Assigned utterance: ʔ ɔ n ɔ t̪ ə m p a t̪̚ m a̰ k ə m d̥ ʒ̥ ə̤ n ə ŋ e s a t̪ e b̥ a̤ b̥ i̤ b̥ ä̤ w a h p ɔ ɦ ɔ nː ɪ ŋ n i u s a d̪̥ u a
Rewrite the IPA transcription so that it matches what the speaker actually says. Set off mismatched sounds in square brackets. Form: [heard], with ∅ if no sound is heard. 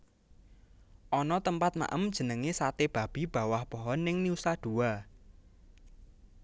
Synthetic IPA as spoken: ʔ ɔ n ɔ t̪ ə m p a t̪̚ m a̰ [ʔ] ə m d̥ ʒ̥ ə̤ n ə ŋ e s a t̪ e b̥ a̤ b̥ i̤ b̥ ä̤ w a h p ɔ ɦ ɔ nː ɪ ŋ n i u s a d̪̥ u a